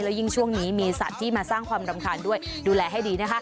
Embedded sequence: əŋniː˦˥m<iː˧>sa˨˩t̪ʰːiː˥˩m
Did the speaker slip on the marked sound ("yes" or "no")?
no